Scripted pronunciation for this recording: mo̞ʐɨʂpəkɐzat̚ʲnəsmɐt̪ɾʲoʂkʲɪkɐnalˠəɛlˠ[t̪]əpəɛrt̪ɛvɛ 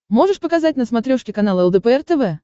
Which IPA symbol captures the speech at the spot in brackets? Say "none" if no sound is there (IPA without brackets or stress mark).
d̪